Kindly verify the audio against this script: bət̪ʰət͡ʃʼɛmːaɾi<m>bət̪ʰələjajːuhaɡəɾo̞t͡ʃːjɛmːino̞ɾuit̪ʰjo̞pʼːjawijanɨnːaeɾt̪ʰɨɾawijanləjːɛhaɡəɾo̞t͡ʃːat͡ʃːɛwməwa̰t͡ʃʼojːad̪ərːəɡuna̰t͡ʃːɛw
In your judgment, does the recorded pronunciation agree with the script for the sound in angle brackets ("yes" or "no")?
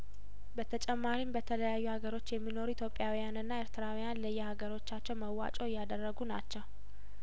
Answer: yes